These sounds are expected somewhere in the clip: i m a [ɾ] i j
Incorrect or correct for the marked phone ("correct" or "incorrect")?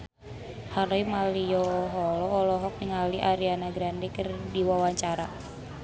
incorrect